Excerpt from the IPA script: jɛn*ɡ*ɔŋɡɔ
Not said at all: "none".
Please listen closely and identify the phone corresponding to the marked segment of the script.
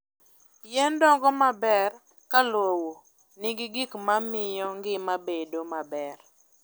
d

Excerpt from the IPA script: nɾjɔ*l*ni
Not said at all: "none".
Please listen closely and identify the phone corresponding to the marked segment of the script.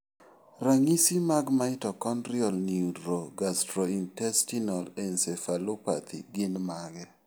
l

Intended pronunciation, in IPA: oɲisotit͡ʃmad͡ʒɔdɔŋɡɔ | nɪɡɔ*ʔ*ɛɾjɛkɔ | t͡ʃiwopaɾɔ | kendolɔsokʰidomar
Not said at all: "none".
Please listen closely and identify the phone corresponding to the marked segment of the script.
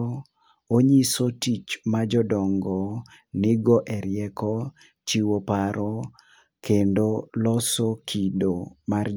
ʔ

